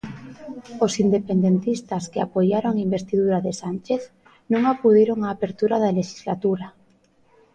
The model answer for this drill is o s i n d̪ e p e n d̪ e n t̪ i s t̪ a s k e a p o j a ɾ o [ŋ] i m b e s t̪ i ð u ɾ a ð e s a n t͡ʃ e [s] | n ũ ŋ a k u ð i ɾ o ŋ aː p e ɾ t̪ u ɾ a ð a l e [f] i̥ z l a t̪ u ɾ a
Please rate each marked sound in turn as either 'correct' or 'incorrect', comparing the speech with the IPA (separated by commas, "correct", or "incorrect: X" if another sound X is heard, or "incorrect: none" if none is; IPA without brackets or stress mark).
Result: correct, incorrect: θ, incorrect: ʃ